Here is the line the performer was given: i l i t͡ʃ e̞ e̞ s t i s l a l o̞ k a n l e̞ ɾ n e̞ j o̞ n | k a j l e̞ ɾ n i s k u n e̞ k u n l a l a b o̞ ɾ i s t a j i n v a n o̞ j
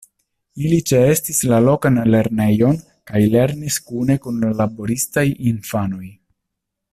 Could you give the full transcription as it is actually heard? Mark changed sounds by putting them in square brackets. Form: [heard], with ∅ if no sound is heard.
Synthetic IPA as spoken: i l i t͡ʃ e̞ e̞ s t i s l a l o̞ k a n l e̞ ɾ n e̞ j o̞ n | k a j l e̞ ɾ n i s k u n e̞ k u n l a l a b o̞ ɾ i s t a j i n [f] a n o̞ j